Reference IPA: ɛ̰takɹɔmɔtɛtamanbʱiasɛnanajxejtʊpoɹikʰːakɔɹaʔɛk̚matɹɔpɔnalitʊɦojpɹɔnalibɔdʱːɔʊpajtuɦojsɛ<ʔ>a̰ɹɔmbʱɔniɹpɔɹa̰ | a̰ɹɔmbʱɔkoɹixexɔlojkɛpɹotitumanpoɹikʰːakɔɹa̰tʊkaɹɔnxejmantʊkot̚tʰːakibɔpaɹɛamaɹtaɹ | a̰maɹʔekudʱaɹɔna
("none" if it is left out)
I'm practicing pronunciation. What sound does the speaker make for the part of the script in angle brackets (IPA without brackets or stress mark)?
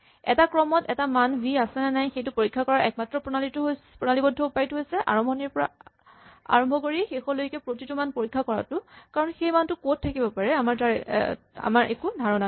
ʔ